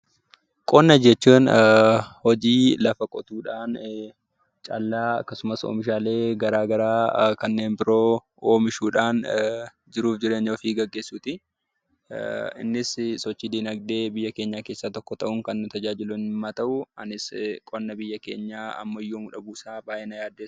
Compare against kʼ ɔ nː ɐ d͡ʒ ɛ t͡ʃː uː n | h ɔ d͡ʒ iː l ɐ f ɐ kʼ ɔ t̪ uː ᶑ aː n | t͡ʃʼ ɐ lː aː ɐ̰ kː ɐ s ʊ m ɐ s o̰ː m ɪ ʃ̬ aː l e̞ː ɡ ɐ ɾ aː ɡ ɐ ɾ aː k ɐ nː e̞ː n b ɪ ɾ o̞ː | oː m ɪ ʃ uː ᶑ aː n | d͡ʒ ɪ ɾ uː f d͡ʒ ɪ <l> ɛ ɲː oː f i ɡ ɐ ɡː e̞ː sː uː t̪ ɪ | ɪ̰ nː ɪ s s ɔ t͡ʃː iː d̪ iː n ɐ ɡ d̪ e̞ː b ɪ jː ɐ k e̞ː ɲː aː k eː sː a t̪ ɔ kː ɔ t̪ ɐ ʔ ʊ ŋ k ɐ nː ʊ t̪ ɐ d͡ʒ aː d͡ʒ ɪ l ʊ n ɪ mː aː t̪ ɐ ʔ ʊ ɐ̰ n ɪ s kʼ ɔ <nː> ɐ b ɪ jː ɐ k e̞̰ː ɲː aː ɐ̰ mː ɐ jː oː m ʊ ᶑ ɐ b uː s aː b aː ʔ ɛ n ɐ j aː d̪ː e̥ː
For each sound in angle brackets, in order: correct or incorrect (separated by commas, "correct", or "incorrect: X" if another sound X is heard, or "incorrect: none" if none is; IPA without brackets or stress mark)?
incorrect: ɾ, correct